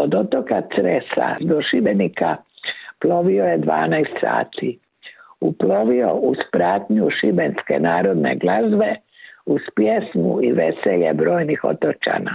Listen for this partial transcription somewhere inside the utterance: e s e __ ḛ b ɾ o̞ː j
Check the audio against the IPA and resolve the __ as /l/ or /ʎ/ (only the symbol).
ʎ